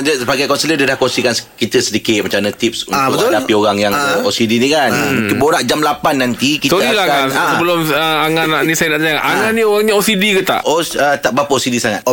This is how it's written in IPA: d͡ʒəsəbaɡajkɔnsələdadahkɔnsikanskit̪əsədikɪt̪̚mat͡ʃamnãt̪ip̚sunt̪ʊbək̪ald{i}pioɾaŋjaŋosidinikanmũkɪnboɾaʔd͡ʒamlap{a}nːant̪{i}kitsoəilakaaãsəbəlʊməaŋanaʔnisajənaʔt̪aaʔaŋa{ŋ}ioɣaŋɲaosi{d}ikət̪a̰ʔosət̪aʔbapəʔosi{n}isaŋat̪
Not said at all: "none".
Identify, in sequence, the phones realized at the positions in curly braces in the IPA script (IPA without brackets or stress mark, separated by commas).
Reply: a, a, i, n, d, d